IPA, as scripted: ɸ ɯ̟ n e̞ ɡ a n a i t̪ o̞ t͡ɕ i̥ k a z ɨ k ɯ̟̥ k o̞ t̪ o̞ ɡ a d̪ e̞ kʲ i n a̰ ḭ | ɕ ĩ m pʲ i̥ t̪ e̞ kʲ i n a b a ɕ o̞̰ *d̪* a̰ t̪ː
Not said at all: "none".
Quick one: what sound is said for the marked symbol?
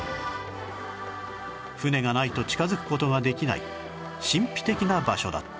d̪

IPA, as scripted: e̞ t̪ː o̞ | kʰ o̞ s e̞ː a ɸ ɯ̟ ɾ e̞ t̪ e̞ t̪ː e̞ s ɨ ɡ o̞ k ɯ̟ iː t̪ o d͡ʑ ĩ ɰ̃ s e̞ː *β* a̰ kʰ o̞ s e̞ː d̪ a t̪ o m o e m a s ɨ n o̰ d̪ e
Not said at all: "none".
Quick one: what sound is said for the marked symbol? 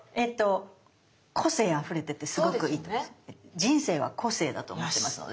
β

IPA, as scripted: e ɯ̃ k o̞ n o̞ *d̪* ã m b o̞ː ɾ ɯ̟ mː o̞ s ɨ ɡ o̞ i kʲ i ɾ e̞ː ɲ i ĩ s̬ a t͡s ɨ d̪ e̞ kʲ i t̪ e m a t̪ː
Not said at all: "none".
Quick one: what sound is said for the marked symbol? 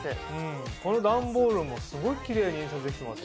d̪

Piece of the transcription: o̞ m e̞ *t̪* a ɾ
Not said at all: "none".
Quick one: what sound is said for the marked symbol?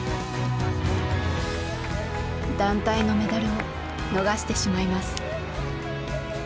d̪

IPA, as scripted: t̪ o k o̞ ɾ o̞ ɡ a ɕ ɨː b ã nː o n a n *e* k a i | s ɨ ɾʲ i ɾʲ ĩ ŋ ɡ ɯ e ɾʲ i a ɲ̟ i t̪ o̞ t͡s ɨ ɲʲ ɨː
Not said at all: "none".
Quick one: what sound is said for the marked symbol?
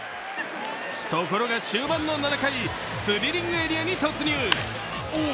a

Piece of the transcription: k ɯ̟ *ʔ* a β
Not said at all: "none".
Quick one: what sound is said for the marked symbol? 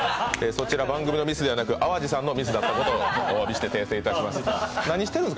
ʔ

